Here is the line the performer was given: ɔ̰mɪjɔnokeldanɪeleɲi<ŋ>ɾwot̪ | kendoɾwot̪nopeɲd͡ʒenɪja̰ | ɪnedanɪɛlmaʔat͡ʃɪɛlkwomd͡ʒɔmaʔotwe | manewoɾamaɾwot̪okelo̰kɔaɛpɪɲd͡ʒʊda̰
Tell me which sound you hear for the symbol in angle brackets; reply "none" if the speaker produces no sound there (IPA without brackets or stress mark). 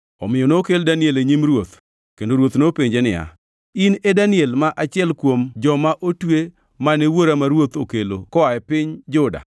m